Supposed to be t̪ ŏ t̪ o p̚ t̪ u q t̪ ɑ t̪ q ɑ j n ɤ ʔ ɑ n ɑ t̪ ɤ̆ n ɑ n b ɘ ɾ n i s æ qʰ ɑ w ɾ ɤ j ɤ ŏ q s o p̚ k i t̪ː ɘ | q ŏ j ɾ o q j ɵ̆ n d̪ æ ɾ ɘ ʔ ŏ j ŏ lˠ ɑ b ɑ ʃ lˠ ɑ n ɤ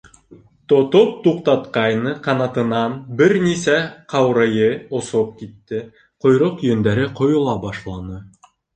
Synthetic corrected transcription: t̪ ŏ t̪ o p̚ t̪ u q t̪ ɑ t̪ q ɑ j n ɤ q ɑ n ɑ t̪ ɤ̆ n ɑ n b ɘ ɾ n i s æ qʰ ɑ w ɾ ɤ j ɤ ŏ s o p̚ k i t̪ː ɘ | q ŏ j ɾ o q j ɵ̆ n d̪ æ ɾ ɘ q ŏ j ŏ lˠ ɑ b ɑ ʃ lˠ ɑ n ɤ

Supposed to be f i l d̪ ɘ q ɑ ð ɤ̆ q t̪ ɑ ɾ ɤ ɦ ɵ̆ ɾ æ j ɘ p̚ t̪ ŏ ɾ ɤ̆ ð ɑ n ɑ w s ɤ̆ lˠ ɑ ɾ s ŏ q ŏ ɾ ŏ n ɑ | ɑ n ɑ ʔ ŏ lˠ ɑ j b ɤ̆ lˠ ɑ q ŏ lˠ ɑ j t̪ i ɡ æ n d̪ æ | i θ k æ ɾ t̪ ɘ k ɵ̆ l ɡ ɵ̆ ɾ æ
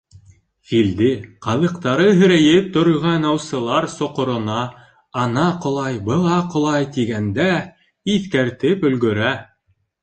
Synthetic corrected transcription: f i l d̪ ɘ q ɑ ð ɤ̆ q t̪ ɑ ɾ ɤ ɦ ɵ̆ ɾ æ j ɘ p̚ t̪ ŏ ɾ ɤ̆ ʁ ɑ n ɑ w s ɤ̆ lˠ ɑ ɾ s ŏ q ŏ ɾ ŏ n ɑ | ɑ n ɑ q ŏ lˠ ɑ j b ɤ̆ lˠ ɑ q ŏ lˠ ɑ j t̪ i ɡ æ n d̪ æ | i θ k æ ɾ t̪ ɘ p ɵ̆ l ɡ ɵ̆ ɾ æ

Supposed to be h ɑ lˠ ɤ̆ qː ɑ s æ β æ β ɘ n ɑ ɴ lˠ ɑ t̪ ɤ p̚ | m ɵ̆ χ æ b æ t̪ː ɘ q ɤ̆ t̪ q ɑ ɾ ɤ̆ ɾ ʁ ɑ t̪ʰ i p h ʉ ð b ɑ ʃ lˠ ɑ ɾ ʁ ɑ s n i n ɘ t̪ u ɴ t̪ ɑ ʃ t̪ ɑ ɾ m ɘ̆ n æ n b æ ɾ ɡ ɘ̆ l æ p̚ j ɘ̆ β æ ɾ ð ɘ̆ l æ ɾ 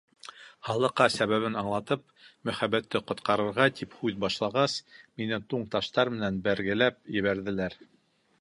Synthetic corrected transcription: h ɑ lˠ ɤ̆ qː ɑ s æ β æ β ɘ n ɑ ɴ lˠ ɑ t̪ ɤ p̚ | m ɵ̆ χ æ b æ t̪ː ɘ q ŏ t̪ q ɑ ɾ ɤ̆ ɾ ʁ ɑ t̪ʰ i p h ʉ ð b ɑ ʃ lˠ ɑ ʁ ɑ s m i n ɘ t̪ u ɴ t̪ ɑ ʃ t̪ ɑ ɾ m ɘ̆ n æ n b æ ɾ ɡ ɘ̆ l æ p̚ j ɘ̆ β æ ɾ ð ɘ̆ l æ ɾ

